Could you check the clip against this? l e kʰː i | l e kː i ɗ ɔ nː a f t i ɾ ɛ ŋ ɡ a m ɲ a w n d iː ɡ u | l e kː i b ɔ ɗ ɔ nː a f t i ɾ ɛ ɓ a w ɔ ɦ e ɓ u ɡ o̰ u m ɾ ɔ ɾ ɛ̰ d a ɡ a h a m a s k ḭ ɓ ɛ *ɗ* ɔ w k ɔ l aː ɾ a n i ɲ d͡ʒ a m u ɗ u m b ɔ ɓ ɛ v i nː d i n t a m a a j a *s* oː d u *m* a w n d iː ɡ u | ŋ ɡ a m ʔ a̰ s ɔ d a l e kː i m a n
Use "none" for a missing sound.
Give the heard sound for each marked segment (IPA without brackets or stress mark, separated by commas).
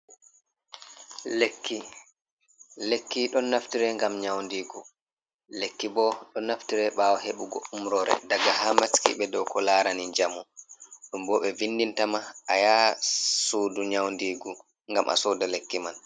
d, s, ɲ